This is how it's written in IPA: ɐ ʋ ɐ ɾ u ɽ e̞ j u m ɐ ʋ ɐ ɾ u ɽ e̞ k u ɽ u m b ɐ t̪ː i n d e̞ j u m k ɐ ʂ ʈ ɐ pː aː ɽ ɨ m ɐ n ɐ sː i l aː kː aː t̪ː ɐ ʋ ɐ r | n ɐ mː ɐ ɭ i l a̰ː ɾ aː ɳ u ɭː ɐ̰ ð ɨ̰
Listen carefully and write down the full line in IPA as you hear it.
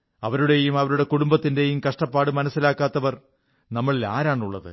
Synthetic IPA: ɐ ʋ ɐ ɾ u ɽ e̞ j u m ɐ ʋ ɐ ɾ u ɽ e̞ k u ɽ u m b ɐ t̪ː i n d e̞ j u m k ɐ ʂ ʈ ɐ pː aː ɽ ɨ m ɐ n ɐ sː i l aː kː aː t̪ː ɐ ʋ ɐ r | n ɐ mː ɐ ɭ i l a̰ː ɾ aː ɳ u ɭː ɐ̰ ð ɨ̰